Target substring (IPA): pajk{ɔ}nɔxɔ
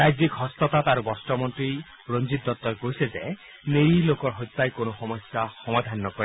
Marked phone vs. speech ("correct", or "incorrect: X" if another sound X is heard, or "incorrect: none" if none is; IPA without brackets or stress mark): incorrect: o